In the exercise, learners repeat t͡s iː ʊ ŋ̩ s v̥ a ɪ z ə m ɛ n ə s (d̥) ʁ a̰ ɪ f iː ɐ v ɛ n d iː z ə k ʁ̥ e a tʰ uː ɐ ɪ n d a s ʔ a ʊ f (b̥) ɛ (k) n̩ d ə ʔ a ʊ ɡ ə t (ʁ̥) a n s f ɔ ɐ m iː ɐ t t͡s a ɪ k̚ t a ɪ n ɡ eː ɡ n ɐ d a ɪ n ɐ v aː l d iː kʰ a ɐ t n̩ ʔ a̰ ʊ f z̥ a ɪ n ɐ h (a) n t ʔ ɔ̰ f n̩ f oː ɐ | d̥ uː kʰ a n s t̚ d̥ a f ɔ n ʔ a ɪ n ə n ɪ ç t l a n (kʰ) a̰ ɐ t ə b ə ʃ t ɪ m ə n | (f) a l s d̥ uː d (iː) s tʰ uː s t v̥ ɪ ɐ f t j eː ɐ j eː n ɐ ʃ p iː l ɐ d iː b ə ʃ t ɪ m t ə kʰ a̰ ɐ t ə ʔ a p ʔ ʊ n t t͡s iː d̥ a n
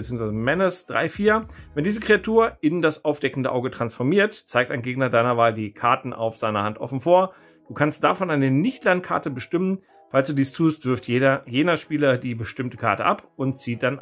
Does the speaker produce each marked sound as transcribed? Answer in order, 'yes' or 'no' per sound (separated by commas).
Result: yes, no, yes, yes, yes, yes, yes, yes